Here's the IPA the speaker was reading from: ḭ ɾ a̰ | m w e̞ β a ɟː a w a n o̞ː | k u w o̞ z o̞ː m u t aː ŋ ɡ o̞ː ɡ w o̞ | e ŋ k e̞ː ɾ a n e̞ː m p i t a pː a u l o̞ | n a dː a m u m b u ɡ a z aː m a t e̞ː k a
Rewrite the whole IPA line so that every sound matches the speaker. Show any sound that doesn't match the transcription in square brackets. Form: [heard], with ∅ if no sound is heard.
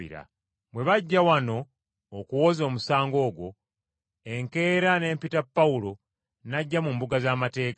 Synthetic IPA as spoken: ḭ ɾ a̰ | m w e̞ β a ɟː a w a n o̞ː | k u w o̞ z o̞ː m u [s] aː ŋ ɡ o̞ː ɡ w o̞ | e ŋ k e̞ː ɾ a n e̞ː m p i t a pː a u l o̞ | n a [ɟː] a m u m b u ɡ a z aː m a t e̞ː k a